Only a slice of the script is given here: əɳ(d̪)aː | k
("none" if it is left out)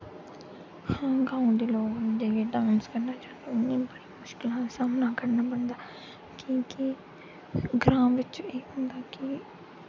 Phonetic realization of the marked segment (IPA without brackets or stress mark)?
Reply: d̪